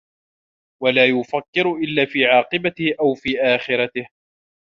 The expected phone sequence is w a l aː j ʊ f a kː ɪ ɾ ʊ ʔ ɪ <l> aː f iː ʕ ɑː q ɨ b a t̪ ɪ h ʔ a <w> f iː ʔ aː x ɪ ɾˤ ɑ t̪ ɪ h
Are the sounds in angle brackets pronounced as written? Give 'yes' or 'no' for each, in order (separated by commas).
no, yes